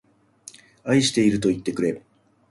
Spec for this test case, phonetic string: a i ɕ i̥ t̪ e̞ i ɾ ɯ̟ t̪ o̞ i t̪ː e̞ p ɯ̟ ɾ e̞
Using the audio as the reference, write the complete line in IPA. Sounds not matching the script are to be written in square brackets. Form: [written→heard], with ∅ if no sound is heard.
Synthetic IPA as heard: a i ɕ i̥ t̪ e̞ i ɾ ɯ̟ t̪ o̞ i t̪ː e̞ [p→k] ɯ̟ ɾ e̞